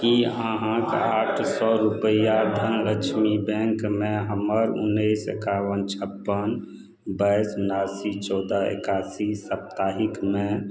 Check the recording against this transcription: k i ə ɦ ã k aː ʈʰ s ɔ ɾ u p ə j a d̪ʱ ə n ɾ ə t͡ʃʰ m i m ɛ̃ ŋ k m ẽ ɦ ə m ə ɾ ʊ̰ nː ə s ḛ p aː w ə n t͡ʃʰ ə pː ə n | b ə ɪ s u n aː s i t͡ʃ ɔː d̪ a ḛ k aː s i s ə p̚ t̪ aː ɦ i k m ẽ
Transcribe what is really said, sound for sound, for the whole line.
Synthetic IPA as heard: k i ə ɦ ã k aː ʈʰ s ɔ ɾ u p ə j a d̪ʱ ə n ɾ ə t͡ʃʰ m i b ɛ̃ ŋ k m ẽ ɦ ə m ə ɾ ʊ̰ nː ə s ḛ k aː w ə n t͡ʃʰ ə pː ə n | b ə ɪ s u n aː s i t͡ʃ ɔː d̪ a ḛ k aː s i s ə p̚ t̪ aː ɦ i k m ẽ